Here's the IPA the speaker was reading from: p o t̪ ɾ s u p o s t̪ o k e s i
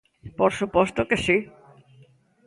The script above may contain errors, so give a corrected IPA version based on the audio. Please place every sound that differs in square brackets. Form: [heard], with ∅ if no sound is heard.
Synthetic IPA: p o [∅] ɾ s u p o s t̪ o k e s i